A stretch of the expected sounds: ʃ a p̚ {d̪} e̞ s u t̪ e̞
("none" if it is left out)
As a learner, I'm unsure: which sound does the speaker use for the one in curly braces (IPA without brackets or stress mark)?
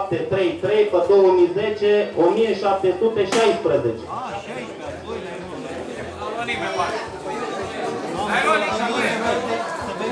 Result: t̪